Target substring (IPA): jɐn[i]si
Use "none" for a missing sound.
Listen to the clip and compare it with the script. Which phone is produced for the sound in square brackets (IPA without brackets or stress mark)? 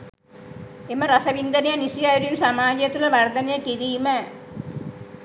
i